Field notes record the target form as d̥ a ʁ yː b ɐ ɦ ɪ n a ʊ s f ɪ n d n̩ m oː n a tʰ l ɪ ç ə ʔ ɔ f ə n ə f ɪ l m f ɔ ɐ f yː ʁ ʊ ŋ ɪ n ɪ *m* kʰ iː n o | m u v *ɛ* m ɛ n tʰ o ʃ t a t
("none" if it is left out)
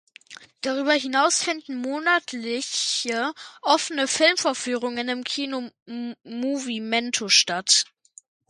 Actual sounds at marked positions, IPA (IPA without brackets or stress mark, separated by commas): m, i